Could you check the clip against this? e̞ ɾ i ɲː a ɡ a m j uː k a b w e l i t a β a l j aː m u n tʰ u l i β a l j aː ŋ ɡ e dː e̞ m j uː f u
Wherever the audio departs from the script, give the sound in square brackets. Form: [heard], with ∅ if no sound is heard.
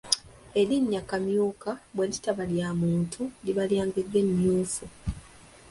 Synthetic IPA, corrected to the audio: e̞ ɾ i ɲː a [k] a m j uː k a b w e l i t a β a l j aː m [uː] n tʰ u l i β a l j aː ŋ ɡ e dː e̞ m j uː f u